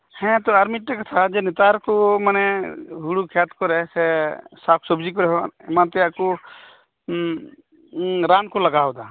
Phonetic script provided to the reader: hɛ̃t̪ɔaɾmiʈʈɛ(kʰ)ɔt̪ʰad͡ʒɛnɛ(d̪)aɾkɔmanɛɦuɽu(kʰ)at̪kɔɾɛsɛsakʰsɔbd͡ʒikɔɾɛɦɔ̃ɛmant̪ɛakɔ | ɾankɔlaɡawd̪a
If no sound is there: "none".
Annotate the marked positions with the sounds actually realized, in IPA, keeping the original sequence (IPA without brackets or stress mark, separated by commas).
k, t̪, kʰ